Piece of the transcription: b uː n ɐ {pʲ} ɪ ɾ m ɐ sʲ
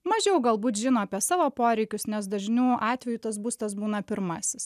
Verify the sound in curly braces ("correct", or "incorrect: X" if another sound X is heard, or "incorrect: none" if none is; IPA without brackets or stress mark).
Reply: correct